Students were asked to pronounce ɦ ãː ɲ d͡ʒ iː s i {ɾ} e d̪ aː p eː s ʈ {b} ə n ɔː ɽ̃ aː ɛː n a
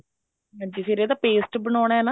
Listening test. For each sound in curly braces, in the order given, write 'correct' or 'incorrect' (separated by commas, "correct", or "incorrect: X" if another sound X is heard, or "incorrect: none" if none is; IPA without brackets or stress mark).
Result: correct, correct